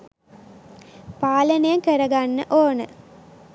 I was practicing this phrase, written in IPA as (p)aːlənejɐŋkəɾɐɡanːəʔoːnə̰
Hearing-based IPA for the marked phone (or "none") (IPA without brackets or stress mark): p